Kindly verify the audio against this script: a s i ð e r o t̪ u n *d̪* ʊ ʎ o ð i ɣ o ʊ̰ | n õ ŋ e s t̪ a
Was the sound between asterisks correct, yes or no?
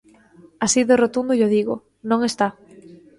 yes